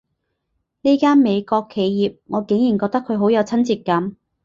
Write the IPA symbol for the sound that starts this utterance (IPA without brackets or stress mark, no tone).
n